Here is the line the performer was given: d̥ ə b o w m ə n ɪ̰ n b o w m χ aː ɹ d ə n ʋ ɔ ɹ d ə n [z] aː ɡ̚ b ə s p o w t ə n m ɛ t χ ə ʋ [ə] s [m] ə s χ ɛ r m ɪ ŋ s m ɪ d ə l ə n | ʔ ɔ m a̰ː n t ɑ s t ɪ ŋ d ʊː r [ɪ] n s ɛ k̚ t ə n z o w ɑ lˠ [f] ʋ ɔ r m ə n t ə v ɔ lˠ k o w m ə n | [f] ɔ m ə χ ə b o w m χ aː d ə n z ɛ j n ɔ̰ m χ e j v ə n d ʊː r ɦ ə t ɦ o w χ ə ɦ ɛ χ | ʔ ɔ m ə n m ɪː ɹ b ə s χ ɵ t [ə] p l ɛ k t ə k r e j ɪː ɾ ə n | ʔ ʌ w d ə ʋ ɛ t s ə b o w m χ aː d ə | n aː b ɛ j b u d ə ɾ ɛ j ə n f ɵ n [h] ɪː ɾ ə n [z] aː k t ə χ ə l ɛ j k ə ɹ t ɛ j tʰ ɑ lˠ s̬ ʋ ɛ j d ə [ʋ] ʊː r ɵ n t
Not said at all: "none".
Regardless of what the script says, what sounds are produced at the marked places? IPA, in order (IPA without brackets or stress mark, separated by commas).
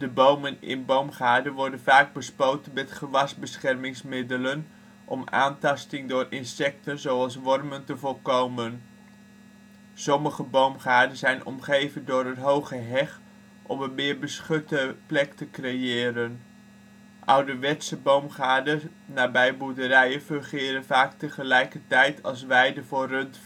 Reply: v, ɑ, b, ɪ, s, s, ə, χ, v, v